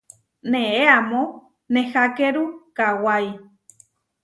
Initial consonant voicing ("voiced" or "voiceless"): voiced